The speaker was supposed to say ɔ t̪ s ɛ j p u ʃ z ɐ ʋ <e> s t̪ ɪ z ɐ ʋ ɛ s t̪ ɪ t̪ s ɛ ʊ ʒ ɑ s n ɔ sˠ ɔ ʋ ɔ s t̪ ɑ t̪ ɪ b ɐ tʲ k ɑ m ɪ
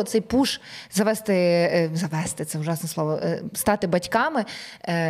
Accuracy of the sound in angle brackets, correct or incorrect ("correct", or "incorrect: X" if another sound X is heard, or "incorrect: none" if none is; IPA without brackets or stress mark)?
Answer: incorrect: ɛ